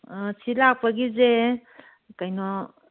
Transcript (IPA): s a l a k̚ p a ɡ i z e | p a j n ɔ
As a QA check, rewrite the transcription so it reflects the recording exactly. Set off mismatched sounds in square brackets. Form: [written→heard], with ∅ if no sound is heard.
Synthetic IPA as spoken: s [a→i] l a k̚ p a ɡ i z e | [p→k] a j n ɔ